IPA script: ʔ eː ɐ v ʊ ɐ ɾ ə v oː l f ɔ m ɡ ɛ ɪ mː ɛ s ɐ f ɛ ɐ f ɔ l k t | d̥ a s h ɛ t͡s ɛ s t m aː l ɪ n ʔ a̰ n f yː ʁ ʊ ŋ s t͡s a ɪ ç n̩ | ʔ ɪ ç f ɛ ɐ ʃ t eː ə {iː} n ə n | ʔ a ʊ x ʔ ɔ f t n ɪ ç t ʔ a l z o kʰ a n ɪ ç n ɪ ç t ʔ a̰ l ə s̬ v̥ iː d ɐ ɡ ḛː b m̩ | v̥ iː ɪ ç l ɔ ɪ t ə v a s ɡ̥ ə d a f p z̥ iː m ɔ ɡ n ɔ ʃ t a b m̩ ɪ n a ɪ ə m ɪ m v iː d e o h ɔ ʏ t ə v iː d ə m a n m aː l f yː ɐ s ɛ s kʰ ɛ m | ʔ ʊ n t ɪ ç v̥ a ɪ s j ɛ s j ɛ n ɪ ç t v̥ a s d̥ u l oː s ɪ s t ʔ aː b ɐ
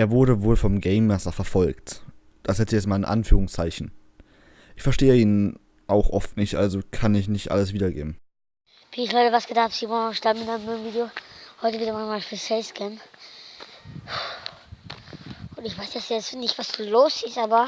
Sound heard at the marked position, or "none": iː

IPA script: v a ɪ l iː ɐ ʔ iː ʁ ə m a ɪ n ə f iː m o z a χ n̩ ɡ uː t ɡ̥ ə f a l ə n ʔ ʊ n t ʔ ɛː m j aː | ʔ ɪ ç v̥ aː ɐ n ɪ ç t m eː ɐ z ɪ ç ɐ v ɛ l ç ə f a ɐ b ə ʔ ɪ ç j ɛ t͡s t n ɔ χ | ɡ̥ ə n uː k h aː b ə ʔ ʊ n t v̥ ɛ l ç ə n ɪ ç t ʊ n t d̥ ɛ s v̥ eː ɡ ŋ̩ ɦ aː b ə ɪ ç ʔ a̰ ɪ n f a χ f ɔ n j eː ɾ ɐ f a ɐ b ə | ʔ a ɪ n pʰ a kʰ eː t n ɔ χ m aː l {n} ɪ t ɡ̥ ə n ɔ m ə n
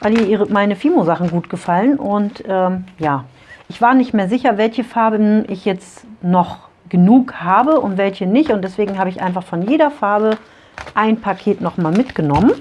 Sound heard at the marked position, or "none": m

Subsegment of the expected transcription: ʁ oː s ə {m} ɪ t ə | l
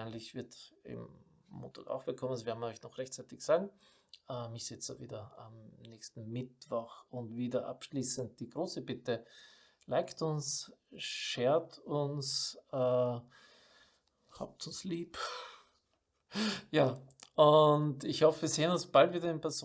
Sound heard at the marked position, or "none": b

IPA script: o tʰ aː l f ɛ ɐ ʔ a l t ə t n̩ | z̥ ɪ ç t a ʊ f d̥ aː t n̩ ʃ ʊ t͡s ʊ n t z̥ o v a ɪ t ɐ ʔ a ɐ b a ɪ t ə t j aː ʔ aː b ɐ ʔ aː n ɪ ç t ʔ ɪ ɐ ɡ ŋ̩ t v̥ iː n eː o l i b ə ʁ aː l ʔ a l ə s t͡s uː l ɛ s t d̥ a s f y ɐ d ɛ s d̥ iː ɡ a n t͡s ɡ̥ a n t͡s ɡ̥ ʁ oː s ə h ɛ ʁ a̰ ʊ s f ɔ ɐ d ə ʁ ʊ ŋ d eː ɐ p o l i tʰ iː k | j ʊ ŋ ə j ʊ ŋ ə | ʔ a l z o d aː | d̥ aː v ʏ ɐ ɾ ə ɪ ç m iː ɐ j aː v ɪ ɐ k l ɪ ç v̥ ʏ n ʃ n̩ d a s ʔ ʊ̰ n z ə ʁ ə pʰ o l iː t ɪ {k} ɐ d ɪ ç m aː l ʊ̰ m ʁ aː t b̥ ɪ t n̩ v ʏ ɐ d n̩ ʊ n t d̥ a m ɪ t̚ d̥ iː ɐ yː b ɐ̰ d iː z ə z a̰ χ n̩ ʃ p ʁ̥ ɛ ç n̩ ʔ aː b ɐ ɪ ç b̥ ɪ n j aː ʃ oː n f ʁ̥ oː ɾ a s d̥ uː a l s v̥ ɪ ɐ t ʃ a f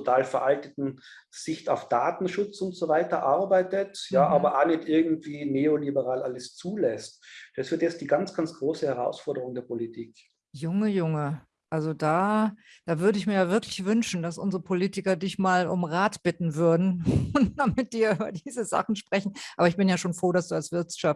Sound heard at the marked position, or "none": k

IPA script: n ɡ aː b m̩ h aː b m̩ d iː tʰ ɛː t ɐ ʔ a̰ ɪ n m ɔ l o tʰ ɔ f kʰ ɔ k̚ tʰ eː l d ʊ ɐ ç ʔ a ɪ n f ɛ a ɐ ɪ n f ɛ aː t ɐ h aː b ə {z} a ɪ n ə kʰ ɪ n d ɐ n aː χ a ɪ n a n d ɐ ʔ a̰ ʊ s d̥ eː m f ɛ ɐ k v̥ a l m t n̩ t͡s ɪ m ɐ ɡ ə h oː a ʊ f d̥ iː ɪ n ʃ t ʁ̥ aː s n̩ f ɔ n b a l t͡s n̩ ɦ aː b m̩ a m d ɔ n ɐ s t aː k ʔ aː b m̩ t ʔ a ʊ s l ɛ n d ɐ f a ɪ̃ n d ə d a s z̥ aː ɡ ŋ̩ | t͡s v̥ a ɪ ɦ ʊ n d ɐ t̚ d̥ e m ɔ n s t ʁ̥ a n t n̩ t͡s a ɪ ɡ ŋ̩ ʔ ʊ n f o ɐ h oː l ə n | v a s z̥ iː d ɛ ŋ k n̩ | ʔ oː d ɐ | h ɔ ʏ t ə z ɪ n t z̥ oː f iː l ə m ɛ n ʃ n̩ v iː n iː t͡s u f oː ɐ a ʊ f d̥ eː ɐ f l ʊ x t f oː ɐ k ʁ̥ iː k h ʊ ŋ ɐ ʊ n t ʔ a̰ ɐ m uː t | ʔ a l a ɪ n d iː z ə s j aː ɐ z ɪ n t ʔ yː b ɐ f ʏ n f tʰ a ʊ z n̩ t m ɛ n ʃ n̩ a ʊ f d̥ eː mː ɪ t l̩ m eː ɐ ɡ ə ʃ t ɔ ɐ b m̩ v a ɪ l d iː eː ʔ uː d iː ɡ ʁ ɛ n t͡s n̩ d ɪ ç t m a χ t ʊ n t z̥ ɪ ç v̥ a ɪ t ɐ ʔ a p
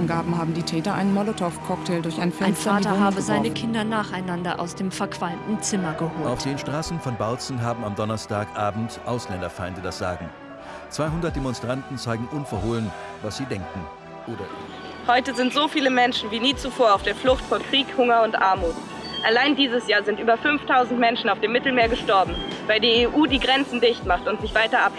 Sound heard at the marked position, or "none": z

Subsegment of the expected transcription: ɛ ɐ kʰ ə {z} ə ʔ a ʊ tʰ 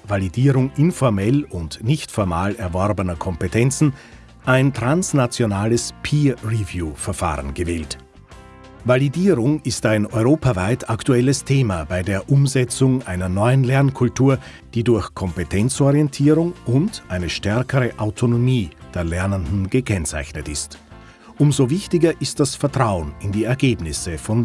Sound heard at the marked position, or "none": ʁ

